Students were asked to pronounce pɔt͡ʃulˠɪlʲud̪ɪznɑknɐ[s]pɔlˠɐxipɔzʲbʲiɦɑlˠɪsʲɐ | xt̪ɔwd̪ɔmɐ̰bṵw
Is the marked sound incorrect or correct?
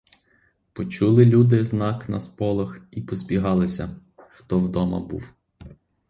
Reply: correct